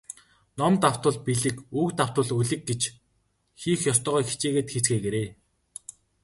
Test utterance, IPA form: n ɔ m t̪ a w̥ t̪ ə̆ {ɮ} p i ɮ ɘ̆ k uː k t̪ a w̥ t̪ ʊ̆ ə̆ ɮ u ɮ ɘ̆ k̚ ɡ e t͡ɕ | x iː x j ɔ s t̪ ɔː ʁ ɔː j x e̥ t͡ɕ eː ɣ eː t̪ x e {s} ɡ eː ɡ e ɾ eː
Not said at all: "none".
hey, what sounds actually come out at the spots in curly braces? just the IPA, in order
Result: ɮ, t͡s

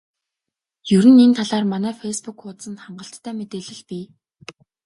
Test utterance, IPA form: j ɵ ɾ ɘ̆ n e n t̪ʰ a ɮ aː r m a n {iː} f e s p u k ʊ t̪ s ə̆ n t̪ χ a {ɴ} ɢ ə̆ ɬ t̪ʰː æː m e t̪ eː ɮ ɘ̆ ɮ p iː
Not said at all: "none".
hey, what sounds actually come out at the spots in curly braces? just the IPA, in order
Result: æː, ɴ

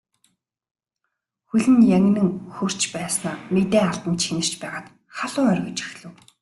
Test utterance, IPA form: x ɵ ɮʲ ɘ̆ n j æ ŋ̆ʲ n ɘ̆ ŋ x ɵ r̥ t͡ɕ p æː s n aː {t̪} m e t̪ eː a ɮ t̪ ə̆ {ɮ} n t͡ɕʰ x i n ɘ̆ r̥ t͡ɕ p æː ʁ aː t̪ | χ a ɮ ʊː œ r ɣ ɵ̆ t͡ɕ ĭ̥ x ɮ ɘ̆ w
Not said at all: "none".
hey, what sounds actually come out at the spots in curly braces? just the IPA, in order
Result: none, none

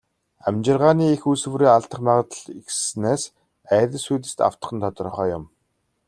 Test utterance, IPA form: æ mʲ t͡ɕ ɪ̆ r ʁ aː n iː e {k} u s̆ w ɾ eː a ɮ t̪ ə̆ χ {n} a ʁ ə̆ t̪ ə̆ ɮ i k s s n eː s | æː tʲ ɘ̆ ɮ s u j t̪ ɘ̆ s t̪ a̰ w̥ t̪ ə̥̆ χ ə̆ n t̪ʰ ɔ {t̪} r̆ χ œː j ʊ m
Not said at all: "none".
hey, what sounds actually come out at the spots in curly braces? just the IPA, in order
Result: x, m, t̪

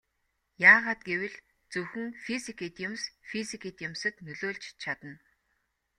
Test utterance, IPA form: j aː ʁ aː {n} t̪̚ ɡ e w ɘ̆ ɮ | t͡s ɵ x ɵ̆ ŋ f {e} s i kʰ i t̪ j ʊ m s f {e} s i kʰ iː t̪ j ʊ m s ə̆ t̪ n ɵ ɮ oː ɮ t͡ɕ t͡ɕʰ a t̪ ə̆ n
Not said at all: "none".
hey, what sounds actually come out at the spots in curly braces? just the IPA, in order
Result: none, i, i

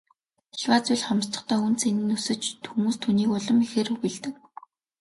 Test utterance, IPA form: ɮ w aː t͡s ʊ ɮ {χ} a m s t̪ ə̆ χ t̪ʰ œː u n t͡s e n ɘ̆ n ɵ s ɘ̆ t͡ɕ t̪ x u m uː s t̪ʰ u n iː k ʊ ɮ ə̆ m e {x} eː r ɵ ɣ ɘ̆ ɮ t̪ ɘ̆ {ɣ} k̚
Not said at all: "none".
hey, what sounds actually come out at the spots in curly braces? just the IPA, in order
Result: χ, x, none

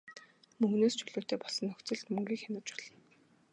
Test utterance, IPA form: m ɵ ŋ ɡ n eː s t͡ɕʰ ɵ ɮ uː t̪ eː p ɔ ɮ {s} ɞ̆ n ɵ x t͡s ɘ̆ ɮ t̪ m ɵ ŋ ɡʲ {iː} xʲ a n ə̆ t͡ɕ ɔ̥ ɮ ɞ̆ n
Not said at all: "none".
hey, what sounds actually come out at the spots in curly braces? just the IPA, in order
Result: s, iː

